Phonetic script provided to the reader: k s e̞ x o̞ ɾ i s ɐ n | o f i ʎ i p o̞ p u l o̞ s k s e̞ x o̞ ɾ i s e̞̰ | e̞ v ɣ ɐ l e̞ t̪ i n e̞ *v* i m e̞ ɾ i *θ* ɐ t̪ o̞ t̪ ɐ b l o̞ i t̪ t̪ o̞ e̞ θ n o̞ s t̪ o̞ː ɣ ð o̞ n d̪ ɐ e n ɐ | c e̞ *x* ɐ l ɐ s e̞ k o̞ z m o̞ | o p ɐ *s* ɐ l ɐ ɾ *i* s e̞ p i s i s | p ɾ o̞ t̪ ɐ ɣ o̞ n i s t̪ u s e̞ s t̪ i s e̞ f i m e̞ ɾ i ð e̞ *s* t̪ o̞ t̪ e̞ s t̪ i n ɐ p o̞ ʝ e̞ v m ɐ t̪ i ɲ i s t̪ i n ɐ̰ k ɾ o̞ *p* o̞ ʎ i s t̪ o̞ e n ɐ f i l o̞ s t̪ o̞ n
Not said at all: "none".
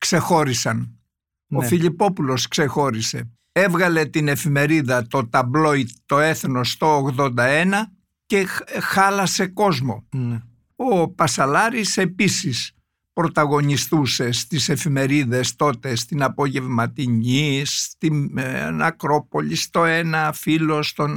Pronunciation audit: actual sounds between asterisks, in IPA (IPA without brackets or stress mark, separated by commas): f, ð, x, s, i, s, p